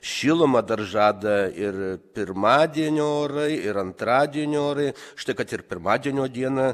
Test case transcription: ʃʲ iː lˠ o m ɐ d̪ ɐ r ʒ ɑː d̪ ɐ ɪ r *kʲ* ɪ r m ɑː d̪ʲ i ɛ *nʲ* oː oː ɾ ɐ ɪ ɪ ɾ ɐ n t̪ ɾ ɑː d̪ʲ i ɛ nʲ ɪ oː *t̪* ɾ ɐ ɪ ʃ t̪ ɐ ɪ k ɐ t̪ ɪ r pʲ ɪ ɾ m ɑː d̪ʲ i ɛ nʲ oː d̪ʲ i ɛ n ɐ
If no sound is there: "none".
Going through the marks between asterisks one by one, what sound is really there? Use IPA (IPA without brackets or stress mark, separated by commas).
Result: pʲ, nʲ, none